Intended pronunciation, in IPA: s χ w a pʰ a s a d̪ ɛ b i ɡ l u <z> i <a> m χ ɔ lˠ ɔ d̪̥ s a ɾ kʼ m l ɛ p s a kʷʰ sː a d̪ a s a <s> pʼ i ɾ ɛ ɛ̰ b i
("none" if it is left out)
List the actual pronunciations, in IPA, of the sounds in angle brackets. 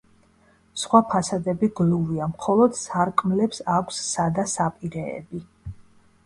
v, a, none

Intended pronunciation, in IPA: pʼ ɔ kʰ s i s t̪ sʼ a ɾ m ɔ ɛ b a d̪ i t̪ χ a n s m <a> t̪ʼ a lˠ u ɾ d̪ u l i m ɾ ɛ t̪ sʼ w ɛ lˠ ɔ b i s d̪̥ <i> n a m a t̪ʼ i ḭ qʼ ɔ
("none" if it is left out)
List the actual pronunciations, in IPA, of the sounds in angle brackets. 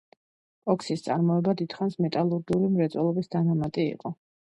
ɛ, a

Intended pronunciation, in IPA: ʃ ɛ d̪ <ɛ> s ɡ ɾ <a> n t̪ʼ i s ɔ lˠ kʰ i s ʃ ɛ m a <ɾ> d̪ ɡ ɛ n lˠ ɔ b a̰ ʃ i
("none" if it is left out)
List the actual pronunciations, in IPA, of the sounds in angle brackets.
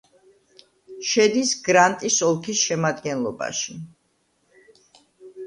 i, a, none

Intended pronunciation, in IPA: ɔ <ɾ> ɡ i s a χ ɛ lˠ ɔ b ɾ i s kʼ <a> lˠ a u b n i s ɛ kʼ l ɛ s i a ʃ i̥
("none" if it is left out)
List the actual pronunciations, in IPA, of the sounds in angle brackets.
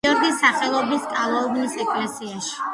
ɾ, a

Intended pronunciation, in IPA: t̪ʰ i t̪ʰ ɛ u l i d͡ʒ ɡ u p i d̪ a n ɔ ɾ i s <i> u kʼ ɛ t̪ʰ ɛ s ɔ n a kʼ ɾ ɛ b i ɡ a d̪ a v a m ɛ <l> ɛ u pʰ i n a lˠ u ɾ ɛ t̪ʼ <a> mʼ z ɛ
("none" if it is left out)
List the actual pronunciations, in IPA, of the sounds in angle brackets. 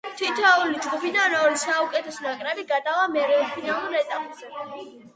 a, ɾ, a

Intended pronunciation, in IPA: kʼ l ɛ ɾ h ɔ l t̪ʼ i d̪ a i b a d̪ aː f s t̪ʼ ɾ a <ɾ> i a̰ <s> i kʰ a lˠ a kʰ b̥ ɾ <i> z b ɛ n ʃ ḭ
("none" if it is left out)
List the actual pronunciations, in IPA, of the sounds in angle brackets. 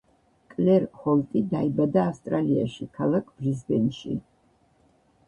l, ʃ, i

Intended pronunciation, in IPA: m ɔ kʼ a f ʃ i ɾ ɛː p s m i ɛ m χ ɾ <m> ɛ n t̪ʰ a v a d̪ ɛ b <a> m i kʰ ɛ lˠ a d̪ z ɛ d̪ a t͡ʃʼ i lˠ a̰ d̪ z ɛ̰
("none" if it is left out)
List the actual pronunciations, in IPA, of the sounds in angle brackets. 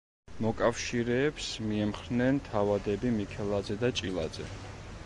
n, i

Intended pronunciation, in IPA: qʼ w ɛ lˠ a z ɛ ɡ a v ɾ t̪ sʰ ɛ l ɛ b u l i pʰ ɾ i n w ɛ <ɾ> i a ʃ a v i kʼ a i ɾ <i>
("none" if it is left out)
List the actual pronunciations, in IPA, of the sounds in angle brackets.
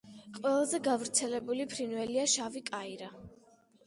l, a

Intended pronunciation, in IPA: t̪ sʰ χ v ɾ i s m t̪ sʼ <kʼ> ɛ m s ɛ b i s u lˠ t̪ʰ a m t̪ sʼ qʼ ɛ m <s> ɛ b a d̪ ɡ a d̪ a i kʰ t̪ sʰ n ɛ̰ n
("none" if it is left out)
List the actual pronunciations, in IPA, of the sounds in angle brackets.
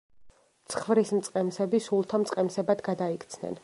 qʼ, s

